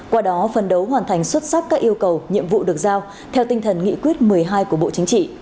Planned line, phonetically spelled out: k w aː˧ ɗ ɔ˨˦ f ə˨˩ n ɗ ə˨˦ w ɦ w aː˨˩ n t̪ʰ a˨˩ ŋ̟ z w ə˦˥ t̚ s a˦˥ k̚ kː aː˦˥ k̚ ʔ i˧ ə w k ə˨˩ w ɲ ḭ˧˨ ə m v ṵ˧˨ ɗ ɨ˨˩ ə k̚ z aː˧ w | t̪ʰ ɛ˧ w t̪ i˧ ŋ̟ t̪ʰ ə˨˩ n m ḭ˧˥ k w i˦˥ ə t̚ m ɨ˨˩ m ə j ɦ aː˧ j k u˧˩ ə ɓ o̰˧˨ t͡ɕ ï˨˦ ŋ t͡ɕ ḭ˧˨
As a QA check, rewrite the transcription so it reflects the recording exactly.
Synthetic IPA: k w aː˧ ɗ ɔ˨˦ f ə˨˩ n ɗ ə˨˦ w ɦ w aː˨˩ n t̪ʰ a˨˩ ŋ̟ s w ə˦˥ t̚ s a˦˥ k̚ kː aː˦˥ k̚ ʔ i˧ ə w k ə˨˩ w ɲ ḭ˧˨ ə m v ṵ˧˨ ɗ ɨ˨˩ ə k̚ z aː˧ w | t̪ʰ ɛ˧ w t̪ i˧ ŋ̟ t̪ʰ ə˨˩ n ŋ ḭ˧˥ k w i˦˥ ə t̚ m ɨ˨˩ ə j ɦ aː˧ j k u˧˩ ə ɓ o̰˧˨ t͡ɕ ï˨˦ ŋ t͡ɕ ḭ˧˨